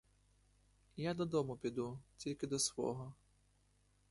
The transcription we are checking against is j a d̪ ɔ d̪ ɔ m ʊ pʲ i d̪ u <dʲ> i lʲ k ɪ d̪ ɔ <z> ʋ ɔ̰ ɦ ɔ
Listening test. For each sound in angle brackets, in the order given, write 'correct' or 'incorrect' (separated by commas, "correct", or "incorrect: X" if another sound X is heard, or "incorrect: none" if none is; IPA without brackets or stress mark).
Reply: incorrect: tʲ, incorrect: s